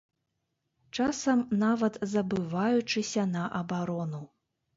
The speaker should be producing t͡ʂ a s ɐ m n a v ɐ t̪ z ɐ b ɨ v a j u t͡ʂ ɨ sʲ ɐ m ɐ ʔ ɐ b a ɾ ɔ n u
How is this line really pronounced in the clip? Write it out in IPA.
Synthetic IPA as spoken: t͡ʂ a s ɐ m n a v ɐ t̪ z ɐ b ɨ v a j u t͡ʂ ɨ sʲ ɐ n ɐ ʔ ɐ b a ɾ ɔ n u

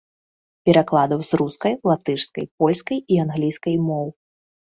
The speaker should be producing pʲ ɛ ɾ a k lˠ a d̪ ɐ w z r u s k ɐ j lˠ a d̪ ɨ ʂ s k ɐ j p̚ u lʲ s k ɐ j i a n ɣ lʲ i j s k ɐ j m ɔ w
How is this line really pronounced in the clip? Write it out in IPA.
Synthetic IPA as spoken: pʲ ɛ ɾ a k lˠ a d̪ ɐ w z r u s k ɐ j lˠ a t̪ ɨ ʂ s k ɐ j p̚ ɔ lʲ s k ɐ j i a n ɣ lʲ i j s k ɐ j m ɔ w

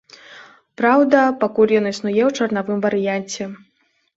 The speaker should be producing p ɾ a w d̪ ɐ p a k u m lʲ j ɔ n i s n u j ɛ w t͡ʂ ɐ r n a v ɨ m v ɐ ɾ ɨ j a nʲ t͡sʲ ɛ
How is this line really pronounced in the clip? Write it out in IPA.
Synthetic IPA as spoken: p ɾ a w d̪ ɐ p a k u lʲ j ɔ n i s n u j ɛ w t͡ʂ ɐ r n a v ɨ m v ɐ ɾ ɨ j a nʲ t͡sʲ ɛ

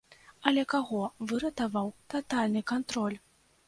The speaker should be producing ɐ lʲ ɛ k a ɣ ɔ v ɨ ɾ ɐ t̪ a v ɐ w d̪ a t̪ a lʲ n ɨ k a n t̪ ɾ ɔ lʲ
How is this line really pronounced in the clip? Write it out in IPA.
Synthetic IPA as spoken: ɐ lʲ ɛ k a ɣ ɔ v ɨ ɾ ɐ t̪ a v a w t̪ a t̪ a lʲ n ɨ k a n t̪ ɾ ɔ lʲ

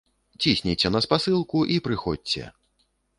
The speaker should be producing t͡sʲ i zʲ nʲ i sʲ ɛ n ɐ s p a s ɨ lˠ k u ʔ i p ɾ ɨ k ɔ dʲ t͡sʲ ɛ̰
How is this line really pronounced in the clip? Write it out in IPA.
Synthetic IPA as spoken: t͡sʲ i sʲ nʲ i t͡sʲ ɛ n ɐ s p a s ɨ lˠ k u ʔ i p ɾ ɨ x ɔ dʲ t͡sʲ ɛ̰

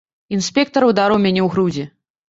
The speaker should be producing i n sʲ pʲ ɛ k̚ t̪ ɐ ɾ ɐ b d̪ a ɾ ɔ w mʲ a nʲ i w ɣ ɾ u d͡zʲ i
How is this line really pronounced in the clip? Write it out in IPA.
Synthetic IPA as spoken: i n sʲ pʲ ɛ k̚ t̪ ɐ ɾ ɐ w d̪ a ɾ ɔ w mʲ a nʲ ɛ w ɣ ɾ u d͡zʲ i

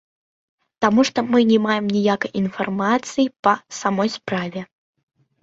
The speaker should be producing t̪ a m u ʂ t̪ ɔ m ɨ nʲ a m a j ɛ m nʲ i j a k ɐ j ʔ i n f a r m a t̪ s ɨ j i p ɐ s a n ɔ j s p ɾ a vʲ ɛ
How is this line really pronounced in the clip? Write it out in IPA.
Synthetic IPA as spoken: t̪ a m u ʂ t̪ ɔ m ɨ nʲ ɛ m a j ɛ m nʲ i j a k ɐ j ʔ i n f a r m a t̪ s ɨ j i p ɐ s a m ɔ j s p ɾ a vʲ ɛ

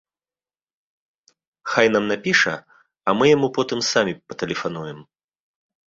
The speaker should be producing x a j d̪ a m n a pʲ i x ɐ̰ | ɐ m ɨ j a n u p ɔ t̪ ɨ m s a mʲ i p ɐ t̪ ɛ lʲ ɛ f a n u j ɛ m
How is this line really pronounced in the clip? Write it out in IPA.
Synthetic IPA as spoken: x a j n̪ a m n a pʲ i ʂ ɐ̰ | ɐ m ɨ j a m u p ɔ t̪ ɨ m s a mʲ i p ɐ t̪ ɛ lʲ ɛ f a n u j ɛ m

